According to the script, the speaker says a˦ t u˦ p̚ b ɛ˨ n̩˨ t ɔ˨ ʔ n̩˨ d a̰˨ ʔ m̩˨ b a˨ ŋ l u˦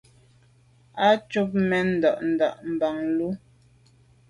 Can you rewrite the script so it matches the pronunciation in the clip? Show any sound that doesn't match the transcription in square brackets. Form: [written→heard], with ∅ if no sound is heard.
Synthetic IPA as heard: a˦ [t→t͡ʃ] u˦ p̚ [b→m] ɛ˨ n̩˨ [t→d] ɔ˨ ʔ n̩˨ d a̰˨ ʔ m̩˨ b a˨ ŋ l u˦